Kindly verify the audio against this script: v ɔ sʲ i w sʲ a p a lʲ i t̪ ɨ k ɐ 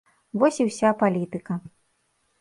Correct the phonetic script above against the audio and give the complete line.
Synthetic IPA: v ɔ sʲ i w sʲ a p a lʲ i t̪ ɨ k ɐ